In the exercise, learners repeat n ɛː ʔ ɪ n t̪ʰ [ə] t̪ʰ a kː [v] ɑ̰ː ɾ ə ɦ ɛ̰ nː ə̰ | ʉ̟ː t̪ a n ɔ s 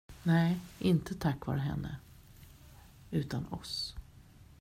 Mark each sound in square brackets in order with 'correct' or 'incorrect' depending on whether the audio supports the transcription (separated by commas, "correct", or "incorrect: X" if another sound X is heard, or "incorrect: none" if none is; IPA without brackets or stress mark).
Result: correct, correct